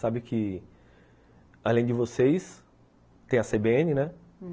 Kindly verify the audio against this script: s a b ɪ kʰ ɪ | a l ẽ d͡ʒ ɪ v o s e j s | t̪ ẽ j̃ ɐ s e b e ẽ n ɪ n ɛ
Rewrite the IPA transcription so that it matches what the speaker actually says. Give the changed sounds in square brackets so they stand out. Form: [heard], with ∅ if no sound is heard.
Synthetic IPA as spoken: s a b ɪ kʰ ɪ | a l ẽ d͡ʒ ɪ v o s e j s | t̪ ẽ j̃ ɐ s e b e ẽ n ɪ n ɛ